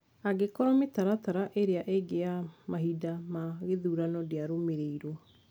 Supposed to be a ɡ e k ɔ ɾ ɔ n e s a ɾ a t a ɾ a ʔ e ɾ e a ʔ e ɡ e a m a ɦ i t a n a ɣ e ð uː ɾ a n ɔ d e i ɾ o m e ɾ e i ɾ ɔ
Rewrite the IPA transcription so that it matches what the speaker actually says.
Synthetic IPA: a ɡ e k ɔ ɾ ɔ m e t a ɾ a t a ɾ a ʔ e ɾ e a ʔ e ɡ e a m a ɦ i d a m a ɣ e ð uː ɾ a n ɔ d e a ɾ o m e ɾ e i ɾ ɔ

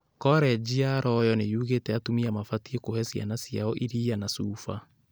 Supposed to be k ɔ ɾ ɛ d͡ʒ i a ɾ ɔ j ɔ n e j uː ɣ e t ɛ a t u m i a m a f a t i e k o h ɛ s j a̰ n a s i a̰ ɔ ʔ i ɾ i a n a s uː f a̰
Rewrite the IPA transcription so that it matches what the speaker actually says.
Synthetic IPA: k ɔ ɾ ɛ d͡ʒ i a ɾ ɔ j ɔ n e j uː ɣ e t ɛ a t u m i a m a f a t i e k o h ɛ s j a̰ n a s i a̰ ɔ ʔ i ɾ i a n a s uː f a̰

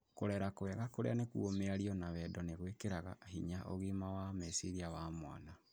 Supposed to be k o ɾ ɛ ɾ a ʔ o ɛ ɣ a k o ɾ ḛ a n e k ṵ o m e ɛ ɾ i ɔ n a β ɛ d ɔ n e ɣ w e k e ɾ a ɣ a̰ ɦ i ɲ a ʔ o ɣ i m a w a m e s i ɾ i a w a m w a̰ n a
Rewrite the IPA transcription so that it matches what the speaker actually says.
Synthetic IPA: k o ɾ ɛ ɾ a k o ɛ ɣ a k o ɾ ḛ a n e k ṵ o m e a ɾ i ɔ n a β ɛ d ɔ n e ɣ w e k e ɾ a ɣ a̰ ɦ i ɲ a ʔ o ɣ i m a w a m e s i ɾ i a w a m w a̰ n a

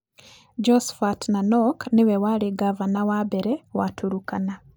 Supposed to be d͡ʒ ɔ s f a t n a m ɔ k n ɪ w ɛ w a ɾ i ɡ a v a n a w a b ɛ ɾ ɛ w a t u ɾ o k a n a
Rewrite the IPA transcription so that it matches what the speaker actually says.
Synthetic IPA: d͡ʒ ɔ s f a t n a n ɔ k n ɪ w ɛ w a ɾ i ɡ a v a n a w a b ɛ ɾ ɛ w a t u ɾ u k a n a

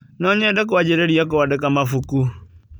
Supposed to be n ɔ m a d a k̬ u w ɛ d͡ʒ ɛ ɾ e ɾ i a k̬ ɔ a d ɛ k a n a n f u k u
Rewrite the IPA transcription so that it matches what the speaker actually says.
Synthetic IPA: n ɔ ɲ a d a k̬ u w a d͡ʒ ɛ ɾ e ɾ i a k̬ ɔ a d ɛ k a m a f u k u

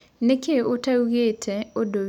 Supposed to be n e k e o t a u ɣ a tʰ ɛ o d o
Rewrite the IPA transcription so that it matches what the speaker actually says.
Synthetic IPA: n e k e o t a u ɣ e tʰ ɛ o d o

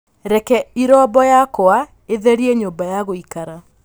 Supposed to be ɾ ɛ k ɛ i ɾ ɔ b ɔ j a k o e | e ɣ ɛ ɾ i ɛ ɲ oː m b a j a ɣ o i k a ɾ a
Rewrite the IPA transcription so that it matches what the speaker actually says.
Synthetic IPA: ɾ ɛ k ɛ i ɾ ɔ b ɔ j a k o a | e ð ɛ ɾ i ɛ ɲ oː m b a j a ɣ o i k a ɾ a

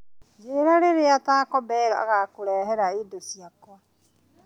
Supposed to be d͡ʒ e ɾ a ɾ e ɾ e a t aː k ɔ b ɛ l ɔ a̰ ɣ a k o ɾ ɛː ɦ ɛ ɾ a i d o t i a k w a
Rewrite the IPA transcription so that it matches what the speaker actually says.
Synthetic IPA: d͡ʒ e ɾ a ɾ e ɾ e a t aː k ɔ b ɛ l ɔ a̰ ɣ a k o ɾ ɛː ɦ ɛ ɾ a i d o s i a k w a

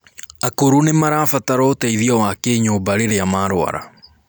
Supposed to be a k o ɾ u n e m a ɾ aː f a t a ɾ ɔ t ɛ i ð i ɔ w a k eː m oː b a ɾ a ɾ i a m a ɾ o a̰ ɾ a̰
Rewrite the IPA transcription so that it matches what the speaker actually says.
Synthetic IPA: a k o ɾ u n e m a ɾ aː f a t a ɾ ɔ t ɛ i ð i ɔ w a k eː ɲ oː b a ɾ e ɾ e a m a ɾ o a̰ ɾ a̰

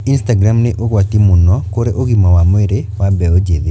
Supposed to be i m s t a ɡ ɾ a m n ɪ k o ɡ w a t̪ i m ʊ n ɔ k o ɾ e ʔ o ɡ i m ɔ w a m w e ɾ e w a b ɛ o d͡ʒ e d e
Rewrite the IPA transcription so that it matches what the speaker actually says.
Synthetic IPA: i n s t a ɡ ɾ a m n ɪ ʔ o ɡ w a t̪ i m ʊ n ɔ k o ɾ e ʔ o ɡ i m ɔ w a m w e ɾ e w a b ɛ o d͡ʒ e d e

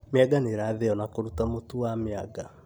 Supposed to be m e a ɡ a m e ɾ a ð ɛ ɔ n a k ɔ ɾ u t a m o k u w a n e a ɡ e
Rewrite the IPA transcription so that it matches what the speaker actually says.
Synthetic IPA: m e a ɡ a n e ɾ a ð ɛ ɔ n a k o ɾ u t a m o t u w a m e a ɡ a

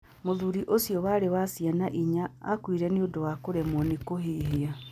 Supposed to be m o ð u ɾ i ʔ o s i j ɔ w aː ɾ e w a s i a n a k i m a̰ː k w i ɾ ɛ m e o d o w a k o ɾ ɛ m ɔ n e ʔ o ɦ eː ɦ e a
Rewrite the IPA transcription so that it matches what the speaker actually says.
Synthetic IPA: m o ð u ɾ i ʔ o s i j ɔ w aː ɾ e w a s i a n a ʔ i ɲ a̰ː k w i ɾ ɛ n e o d o w a k o ɾ ɛ m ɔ n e k o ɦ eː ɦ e a

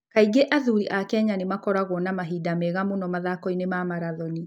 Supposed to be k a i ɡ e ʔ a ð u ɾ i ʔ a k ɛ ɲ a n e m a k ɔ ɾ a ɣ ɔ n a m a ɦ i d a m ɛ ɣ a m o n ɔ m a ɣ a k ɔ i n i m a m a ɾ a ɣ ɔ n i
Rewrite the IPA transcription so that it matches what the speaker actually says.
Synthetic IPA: k a i ɡ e ʔ a ð u ɾ i ʔ a k ɛ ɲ a n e m a k ɔ ɾ a ɣ ɔ n a m a ɦ i d a m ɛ ɣ a m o n ɔ m a ð a k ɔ i n e m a m a ɾ a ð ɔ n i

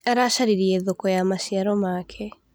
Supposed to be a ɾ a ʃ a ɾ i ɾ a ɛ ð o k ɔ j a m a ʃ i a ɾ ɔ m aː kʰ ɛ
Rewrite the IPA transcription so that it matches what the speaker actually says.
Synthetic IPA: a ɾ a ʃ a ɾ i ɾ i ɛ ð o k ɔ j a m a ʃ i a ɾ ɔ m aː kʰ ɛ

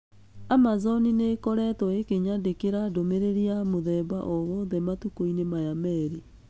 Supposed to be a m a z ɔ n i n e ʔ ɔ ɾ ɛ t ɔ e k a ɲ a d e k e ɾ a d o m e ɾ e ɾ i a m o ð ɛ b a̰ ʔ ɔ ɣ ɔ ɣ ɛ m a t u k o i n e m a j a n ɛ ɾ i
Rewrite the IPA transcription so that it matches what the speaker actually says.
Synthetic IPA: a m a z ɔ n i n e k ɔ ɾ ɛ t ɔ e k e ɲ a d e k e ɾ a d o m e ɾ e ɾ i a m o ð ɛ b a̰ ʔ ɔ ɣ ɔ ð ɛ m a t u k o i n e m a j a m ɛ ɾ i

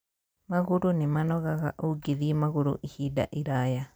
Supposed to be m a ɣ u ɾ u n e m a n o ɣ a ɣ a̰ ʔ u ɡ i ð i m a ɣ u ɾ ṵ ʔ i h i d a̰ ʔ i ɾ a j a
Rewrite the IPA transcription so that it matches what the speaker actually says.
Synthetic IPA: m a ɣ u ɾ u n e m a n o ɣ a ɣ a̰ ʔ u ɡ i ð i m a ɣ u ɾ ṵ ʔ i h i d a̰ ʔ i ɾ a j a

